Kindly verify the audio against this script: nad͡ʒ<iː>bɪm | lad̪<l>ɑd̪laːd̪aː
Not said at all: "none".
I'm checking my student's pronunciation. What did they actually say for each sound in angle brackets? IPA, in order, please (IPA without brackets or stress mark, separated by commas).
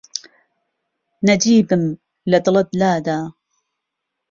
iː, l